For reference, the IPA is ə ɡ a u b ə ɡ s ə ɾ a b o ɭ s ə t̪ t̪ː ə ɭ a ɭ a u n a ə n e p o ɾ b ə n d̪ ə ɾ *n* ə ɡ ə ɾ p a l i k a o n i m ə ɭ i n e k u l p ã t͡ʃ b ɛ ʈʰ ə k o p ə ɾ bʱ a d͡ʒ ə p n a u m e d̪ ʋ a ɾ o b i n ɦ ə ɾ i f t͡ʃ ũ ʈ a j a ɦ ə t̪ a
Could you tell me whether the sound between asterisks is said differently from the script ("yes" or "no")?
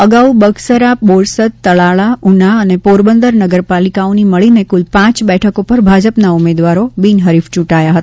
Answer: no